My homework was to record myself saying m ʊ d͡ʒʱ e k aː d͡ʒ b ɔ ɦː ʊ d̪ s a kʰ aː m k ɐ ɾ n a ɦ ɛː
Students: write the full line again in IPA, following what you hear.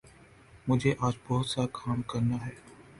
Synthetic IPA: m ʊ d͡ʒʱ e ʔ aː d͡ʒ b ɔ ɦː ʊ t̪ s a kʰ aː m k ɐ ɾ n a ɦ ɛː